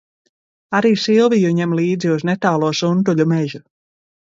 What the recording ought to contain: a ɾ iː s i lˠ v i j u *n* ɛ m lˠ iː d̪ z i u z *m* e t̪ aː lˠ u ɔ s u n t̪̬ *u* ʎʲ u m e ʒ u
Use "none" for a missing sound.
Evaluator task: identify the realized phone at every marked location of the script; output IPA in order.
ɲ, n, u

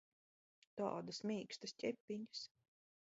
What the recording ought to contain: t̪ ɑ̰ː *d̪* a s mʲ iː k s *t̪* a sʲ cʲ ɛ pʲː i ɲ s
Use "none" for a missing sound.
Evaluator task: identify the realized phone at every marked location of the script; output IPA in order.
d̪, t̪

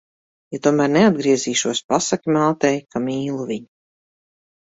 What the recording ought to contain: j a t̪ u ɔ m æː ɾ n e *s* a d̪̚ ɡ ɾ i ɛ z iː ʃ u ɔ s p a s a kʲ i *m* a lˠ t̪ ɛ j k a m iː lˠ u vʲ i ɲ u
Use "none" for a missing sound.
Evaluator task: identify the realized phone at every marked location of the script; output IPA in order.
none, m

